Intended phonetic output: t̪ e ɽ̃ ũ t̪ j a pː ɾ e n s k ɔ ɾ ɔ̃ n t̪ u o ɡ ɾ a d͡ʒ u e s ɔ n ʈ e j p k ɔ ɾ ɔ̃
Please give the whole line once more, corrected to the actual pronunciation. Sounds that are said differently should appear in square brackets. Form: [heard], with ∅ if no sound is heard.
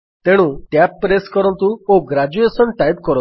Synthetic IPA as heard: t̪ e ɽ̃ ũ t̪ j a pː ɾ e [∅] s k ɔ ɾ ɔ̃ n t̪ u o ɡ ɾ a d͡ʒ u e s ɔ n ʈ [a] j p k ɔ ɾ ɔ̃

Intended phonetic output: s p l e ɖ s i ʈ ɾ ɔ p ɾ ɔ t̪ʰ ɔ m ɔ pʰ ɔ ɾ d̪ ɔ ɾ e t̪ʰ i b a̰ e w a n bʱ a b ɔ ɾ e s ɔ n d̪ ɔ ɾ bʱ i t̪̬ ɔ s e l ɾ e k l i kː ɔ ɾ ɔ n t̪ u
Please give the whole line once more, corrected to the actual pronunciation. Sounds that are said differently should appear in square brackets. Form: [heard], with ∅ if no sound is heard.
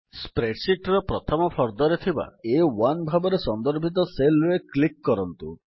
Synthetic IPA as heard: s p [ɾ] e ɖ s i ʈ ɾ ɔ p ɾ ɔ t̪ʰ ɔ m ɔ pʰ ɔ ɾ d̪ ɔ ɾ e t̪ʰ i b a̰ e w a n bʱ a b ɔ ɾ e s ɔ n d̪ ɔ ɾ bʱ i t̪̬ ɔ s e l ɾ e k l i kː ɔ ɾ ɔ n t̪ u

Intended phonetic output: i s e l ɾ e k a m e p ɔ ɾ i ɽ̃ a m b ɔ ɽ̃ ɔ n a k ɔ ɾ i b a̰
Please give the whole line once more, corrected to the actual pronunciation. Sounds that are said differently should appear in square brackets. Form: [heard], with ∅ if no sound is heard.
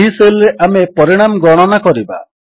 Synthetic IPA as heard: i s e l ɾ e [ʔ] a m e p ɔ ɾ i ɽ̃ a m [ɡ] ɔ ɽ̃ ɔ n a k ɔ ɾ i b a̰

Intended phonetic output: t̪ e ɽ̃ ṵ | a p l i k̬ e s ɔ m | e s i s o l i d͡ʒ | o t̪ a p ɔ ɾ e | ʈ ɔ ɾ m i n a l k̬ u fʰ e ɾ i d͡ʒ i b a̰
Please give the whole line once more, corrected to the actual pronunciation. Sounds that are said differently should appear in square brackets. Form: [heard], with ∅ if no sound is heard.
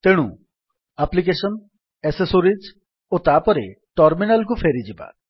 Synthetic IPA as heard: t̪ e ɽ̃ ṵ | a p l i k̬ e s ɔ [n] | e s [e] s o [ɾ] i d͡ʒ | o t̪ a p ɔ ɾ e | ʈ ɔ ɾ m i n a l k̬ u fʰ e ɾ i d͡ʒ i b a̰

